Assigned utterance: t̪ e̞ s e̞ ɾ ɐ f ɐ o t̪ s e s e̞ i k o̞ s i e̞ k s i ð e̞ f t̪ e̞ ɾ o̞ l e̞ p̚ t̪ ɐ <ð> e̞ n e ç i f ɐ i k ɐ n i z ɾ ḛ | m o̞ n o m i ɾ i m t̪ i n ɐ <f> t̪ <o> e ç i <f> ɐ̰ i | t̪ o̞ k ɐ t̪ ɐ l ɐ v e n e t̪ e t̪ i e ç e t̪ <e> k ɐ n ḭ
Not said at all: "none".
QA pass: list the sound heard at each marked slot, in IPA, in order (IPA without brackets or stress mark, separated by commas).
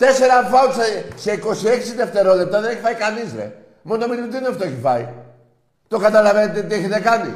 ð, f, o, f, e